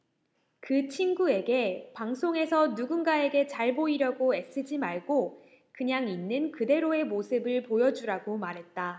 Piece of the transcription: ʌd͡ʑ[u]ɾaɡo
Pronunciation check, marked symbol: correct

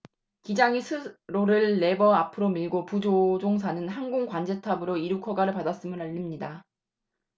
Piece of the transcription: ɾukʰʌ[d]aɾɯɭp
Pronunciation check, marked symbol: incorrect: ɡ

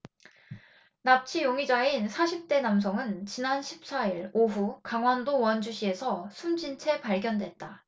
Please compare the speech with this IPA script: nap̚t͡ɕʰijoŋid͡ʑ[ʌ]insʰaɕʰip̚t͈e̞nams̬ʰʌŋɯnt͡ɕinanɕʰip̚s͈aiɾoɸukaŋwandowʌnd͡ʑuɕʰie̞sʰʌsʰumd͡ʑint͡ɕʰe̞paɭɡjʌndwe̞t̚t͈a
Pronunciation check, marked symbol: incorrect: a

